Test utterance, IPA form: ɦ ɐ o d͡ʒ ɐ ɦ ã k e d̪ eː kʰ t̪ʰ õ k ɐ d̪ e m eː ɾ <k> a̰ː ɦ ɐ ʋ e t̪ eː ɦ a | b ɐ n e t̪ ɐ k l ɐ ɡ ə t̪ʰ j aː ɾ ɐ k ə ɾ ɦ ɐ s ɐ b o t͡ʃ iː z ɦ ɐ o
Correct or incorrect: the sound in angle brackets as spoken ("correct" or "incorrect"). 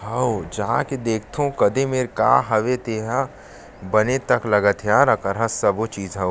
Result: correct